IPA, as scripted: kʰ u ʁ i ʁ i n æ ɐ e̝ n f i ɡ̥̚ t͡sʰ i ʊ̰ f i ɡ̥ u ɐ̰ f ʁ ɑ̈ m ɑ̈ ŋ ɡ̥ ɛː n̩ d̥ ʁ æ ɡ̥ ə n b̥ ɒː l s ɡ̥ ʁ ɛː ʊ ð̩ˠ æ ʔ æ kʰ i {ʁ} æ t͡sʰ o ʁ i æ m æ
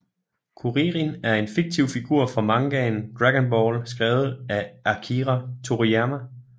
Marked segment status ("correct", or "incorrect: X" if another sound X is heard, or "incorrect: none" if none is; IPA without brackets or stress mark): correct